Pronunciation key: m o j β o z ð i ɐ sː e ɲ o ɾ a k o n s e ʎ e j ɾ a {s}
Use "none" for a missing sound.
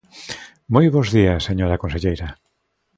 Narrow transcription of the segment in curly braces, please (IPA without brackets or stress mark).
none